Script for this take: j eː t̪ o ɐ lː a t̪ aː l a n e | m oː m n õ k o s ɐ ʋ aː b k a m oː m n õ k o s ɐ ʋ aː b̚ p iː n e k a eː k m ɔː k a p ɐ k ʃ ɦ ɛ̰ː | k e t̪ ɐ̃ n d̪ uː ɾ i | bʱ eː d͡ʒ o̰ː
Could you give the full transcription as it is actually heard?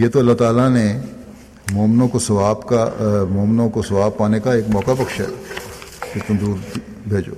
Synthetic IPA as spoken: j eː t̪ o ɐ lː a t̪ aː l a n e | m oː m n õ k o s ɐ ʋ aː b k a m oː m n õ k o s ɐ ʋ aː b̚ p aː n e k a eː k m ɔː k a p ɐ k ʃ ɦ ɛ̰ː | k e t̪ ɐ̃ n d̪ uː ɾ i | bʱ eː d͡ʒ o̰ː